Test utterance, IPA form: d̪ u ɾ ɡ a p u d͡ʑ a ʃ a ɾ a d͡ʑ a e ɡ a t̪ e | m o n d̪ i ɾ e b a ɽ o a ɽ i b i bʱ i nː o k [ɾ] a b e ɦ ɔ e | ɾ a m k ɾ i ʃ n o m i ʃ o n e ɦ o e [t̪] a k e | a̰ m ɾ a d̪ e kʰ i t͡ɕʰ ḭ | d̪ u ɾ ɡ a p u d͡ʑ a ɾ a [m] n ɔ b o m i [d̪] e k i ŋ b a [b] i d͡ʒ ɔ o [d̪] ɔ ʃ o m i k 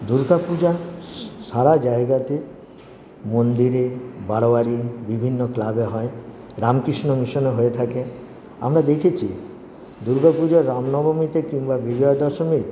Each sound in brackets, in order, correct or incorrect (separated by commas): incorrect, incorrect, correct, incorrect, correct, correct